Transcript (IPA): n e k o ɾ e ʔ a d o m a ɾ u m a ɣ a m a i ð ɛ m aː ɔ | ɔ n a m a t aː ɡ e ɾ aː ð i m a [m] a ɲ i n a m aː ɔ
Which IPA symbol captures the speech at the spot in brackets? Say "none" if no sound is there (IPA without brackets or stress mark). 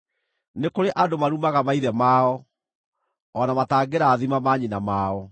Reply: m